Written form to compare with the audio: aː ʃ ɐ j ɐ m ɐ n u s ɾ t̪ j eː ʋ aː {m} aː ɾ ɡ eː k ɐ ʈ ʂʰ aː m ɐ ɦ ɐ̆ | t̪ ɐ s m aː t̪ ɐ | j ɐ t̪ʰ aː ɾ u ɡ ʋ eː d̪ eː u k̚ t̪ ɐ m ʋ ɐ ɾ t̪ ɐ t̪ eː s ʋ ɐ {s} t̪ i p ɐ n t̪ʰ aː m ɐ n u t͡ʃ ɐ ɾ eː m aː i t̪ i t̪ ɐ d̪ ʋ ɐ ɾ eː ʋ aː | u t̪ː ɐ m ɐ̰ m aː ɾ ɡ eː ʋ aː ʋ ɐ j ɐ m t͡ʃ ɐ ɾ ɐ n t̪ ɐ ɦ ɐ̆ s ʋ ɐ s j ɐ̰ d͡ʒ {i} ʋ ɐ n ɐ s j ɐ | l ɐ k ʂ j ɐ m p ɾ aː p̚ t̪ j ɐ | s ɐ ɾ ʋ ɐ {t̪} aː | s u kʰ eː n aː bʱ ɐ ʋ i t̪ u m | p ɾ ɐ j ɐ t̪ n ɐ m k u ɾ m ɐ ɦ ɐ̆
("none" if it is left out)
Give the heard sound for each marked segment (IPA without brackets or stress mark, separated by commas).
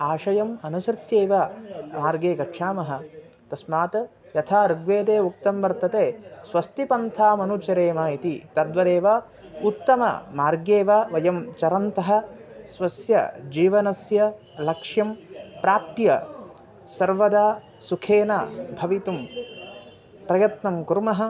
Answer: m, s, iː, d̪